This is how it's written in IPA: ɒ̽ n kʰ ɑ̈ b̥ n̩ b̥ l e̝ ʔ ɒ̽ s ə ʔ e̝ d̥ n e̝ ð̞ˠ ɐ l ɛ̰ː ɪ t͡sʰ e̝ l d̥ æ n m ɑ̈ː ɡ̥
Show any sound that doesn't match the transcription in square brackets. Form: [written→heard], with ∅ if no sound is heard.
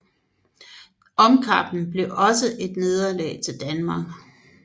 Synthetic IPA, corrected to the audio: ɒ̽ [n→m] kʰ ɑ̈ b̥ n̩ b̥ l e̝ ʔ ɒ̽ s ə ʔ e̝ d̥ n e̝ ð̞ˠ ɐ l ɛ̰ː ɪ t͡sʰ e̝ l d̥ æ n m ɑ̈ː ɡ̥

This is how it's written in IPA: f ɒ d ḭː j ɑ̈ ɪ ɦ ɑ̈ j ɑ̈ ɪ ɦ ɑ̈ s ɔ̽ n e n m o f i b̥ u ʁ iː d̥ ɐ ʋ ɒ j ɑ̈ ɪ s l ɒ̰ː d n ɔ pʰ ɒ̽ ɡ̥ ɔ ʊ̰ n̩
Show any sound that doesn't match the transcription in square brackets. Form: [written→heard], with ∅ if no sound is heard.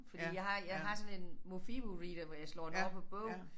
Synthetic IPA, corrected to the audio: f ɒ d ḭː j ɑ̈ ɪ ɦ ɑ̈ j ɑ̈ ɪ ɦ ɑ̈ s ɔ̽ n e n m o f i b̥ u ʁ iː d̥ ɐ ʋ ɒ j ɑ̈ ɪ s l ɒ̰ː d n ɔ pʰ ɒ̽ [ɡ̥→b̥] ɔ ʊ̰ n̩

